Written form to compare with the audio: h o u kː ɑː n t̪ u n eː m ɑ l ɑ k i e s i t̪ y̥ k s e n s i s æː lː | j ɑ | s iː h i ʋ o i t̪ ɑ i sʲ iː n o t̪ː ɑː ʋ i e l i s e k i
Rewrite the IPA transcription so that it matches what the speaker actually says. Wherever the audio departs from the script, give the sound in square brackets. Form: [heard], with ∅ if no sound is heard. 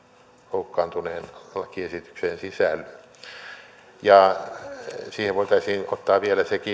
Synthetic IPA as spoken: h o u kː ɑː n t̪ u n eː [n] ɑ l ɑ k i e s i t̪ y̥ k s e n s i s [æ] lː | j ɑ | s iː h [e] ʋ o i t̪ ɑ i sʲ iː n o t̪ː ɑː ʋ i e l [æ] s e k i